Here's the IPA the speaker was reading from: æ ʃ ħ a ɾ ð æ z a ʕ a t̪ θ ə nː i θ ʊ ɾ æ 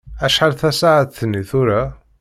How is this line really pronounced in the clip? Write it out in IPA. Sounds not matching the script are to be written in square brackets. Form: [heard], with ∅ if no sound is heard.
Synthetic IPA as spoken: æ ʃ ħ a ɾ [θ] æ [s] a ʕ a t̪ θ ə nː i θ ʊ ɾ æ

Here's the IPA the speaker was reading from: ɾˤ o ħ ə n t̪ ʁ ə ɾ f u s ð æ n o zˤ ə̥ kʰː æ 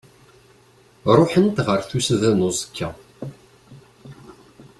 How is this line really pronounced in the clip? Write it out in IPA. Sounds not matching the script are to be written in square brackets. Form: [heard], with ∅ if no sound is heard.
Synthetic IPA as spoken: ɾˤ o ħ ə n t̪ ʁ ə ɾ [θ] u s ð æ n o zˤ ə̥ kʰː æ

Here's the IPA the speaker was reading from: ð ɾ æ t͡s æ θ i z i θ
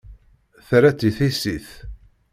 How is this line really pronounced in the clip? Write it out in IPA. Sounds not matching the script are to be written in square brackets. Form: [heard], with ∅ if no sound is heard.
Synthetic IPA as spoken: [θ] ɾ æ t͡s [i] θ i [s] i θ

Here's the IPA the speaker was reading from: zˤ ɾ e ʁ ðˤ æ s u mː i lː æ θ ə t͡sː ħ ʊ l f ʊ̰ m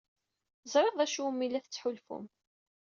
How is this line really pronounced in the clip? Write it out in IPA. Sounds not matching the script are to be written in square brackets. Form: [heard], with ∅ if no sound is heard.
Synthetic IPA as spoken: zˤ ɾ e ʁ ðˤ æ [ʃ] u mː i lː æ θ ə t͡sː ħ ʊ l f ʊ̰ m

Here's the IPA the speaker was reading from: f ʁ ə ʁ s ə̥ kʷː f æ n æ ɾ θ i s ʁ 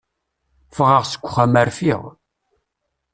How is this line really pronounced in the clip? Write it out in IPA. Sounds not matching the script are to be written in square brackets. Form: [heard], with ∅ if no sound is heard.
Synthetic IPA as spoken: f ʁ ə ʁ s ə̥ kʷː [χ] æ [m] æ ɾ [f] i [∅] ʁ

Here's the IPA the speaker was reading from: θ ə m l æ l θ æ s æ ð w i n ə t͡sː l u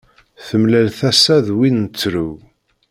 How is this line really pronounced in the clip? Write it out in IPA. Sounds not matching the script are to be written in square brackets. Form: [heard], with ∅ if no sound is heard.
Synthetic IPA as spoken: θ ə m l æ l θ æ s æ ð w i n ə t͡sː [ɾ] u

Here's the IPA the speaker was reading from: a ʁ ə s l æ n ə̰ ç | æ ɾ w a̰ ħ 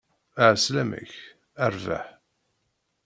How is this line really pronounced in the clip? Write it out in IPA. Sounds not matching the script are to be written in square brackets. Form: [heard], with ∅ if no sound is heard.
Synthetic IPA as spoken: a [ʕ] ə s l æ [m] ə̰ ç | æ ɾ [v] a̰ ħ

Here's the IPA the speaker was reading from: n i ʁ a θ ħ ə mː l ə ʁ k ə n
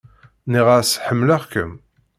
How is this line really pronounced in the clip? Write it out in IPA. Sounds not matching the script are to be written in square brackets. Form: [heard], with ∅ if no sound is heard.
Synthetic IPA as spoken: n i ʁ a [s] ħ ə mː l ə ʁ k ə [m]

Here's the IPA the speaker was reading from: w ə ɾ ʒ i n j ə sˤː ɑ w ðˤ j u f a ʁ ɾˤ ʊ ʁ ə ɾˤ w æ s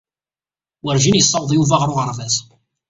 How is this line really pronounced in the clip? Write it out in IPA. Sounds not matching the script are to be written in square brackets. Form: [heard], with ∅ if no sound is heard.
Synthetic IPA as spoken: w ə ɾ ʒ i n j ə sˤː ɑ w ðˤ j u [v] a ʁ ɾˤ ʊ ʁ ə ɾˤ [v] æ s

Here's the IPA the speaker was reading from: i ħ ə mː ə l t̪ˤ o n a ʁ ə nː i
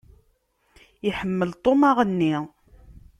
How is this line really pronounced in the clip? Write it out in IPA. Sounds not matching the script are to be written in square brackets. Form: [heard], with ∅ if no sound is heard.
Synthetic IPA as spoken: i ħ ə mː ə l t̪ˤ o [m] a ʁ ə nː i

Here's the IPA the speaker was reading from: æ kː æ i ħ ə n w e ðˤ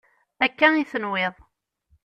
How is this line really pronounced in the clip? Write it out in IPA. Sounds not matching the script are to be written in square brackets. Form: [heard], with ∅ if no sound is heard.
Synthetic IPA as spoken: æ kː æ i [θ] ə n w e ðˤ

